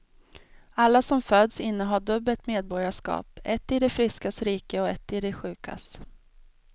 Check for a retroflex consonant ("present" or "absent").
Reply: present